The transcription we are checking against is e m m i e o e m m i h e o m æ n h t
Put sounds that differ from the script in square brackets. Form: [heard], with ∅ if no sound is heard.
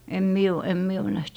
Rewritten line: e m m i e o e m m i [∅] e o [n] æ [∅] h t